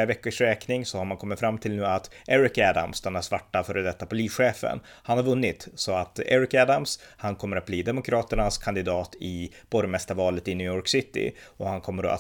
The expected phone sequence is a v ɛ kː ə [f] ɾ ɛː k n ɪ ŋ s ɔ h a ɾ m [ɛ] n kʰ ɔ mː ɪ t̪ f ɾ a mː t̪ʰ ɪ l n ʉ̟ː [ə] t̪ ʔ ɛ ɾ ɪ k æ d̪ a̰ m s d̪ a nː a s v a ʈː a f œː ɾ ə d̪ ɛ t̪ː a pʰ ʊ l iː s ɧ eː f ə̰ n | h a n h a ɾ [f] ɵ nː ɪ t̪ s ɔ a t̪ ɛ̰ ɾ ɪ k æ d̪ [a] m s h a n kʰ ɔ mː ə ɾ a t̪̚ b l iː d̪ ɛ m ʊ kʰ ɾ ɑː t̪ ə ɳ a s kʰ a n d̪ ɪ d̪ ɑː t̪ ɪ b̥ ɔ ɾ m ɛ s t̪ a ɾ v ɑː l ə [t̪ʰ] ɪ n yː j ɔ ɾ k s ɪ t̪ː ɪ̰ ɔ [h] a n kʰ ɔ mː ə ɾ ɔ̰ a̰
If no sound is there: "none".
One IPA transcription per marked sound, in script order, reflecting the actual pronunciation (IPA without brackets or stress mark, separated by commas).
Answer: ʂ, a, a, v, a, t̪, h